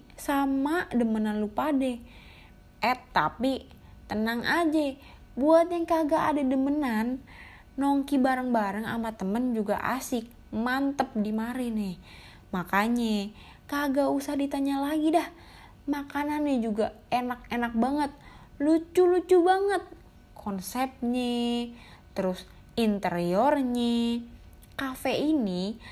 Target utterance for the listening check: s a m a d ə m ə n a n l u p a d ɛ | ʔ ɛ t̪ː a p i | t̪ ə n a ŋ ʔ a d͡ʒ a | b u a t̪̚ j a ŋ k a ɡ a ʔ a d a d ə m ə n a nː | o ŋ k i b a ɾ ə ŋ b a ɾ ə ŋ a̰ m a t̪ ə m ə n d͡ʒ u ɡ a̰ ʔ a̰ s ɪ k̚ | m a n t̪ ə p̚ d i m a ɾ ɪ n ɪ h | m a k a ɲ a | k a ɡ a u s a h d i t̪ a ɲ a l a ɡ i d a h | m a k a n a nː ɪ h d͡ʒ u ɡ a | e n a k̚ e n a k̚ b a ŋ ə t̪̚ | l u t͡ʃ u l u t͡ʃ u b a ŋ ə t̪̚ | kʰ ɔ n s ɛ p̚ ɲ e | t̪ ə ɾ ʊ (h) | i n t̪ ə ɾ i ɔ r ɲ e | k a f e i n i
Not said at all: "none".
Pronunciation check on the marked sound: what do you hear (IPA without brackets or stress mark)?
s